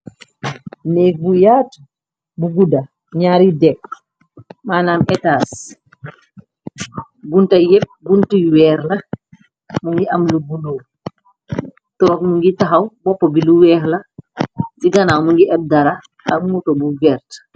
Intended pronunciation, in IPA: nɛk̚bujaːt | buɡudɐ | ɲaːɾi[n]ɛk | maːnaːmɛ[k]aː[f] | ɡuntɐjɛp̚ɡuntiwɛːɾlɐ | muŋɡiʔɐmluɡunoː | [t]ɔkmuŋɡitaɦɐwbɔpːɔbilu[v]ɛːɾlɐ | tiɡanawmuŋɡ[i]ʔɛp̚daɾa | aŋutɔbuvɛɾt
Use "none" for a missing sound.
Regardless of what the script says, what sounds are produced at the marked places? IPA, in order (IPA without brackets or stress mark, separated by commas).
d, t, s, t, w, i